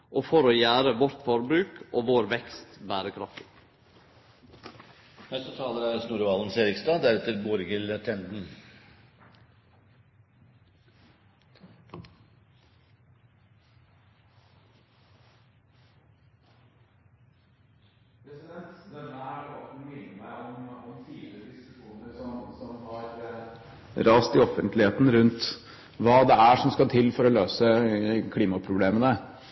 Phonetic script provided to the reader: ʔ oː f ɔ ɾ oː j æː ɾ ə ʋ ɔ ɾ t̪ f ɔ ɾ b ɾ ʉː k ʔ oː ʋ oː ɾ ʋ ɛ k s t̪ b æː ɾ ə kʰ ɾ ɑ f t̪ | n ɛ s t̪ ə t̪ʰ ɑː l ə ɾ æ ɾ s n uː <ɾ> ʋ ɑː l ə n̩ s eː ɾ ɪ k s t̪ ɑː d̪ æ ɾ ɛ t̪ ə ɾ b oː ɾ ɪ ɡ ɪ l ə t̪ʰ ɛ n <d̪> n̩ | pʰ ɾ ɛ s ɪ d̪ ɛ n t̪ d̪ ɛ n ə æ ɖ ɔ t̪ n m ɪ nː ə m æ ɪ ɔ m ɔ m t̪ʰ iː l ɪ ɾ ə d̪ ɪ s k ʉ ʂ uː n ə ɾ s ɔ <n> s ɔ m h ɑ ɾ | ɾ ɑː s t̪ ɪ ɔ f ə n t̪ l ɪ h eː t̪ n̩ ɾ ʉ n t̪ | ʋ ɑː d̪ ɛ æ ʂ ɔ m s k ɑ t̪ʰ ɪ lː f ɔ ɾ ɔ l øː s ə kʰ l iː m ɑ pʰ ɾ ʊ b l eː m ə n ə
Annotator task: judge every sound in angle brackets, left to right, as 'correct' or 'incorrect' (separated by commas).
correct, correct, incorrect